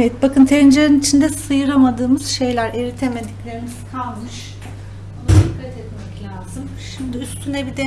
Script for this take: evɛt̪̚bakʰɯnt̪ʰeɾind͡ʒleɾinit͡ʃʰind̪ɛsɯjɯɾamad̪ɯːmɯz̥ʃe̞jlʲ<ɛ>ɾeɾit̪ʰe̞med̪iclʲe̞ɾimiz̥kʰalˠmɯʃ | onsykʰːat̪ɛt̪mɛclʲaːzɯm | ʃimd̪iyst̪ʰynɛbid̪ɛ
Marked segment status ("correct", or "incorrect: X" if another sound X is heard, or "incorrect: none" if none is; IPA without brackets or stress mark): incorrect: æ